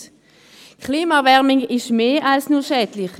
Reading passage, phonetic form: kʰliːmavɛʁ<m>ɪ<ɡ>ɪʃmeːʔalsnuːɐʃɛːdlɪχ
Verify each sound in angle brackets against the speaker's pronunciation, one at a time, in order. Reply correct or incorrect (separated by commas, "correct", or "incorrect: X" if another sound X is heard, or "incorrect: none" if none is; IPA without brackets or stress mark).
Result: correct, incorrect: ŋ